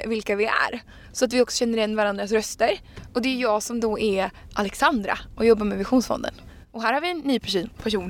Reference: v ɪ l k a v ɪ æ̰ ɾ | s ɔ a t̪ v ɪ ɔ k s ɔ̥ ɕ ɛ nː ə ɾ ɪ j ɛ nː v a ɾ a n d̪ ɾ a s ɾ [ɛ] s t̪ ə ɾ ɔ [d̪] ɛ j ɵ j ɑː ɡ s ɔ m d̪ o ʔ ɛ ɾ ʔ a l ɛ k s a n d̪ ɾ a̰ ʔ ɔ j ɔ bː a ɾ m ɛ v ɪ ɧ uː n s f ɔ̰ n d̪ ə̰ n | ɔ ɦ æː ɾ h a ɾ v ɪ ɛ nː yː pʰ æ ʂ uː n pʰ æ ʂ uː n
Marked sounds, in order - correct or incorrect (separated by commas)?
incorrect, correct